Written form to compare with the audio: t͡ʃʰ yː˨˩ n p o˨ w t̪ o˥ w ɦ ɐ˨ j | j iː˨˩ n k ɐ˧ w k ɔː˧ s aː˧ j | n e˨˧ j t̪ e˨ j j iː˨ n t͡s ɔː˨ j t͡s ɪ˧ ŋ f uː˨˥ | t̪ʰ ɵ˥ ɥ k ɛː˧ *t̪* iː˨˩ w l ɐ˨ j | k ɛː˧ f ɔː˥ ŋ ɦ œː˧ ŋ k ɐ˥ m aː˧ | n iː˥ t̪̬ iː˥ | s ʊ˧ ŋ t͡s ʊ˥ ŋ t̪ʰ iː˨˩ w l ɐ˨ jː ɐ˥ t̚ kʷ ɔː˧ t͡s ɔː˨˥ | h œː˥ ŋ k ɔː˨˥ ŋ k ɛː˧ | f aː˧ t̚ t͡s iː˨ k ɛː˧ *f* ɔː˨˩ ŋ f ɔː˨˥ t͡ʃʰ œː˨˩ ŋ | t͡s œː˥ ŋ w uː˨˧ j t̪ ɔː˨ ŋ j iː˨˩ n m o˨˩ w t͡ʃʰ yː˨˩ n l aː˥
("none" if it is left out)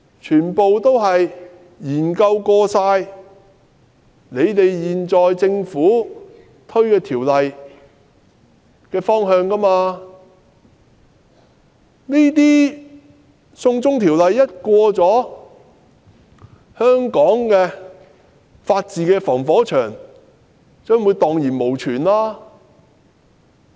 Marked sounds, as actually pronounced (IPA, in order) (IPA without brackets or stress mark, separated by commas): t̪ʰ, f